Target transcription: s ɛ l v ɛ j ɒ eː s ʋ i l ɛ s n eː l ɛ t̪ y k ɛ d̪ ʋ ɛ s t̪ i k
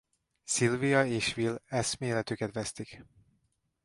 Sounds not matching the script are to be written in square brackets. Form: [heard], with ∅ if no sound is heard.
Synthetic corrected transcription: s [i] l v [i] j ɒ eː [ʃ] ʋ i l ɛ s [m] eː l ɛ t̪ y k ɛ [t̪] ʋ ɛ s t̪ i k